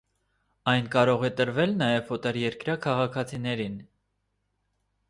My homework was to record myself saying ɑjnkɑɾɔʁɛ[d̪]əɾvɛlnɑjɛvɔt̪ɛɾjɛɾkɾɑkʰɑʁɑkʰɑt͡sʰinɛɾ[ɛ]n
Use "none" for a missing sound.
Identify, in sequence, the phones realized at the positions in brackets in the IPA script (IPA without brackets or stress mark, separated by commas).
t̪, i